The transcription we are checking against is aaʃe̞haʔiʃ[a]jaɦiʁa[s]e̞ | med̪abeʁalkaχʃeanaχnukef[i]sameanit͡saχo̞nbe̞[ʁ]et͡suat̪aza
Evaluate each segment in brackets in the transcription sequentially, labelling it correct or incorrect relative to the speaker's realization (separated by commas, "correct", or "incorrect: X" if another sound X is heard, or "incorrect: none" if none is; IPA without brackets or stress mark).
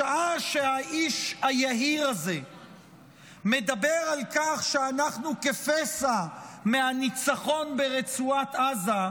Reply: correct, incorrect: z, incorrect: e, correct